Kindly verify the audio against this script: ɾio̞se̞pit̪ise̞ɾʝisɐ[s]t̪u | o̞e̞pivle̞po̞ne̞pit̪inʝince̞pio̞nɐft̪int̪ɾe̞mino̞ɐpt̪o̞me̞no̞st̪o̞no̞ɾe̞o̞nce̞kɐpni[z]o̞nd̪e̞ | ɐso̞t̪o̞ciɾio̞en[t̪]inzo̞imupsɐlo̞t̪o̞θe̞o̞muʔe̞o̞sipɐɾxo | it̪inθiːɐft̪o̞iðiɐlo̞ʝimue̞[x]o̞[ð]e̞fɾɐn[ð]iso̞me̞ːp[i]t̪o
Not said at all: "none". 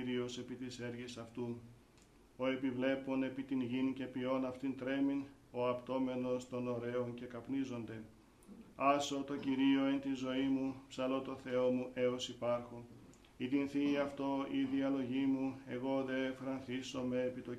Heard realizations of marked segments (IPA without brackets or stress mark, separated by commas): f, z, t̪, ɣ, ð, θ, i